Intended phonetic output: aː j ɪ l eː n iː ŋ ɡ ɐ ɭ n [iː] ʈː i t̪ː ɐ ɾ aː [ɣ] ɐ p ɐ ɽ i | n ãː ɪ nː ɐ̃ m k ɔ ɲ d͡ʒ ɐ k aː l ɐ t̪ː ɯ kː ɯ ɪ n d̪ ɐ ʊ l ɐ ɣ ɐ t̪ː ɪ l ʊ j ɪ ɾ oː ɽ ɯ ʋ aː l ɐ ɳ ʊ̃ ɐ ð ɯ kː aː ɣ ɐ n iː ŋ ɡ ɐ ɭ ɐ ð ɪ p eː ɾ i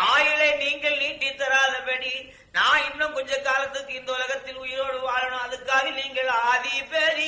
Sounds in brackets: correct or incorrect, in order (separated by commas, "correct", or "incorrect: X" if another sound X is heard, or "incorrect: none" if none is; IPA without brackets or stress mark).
correct, incorrect: ð